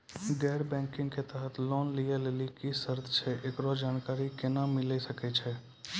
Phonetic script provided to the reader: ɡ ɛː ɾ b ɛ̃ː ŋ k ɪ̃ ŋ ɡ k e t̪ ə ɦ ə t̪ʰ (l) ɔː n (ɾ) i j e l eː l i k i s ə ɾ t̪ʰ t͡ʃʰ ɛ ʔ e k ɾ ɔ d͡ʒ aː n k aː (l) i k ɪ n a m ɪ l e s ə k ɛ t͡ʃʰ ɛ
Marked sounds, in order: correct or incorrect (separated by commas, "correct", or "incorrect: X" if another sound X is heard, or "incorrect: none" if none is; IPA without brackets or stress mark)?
correct, incorrect: l, incorrect: ɾ